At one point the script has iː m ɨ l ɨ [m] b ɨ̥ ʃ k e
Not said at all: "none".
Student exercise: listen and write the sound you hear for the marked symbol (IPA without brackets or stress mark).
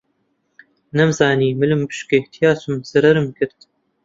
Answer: m